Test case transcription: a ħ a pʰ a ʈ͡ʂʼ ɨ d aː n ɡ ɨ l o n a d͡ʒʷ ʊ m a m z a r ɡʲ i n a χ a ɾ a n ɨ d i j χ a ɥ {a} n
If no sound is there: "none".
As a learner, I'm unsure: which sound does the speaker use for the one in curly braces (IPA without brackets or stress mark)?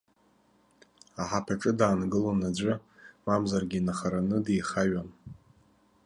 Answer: a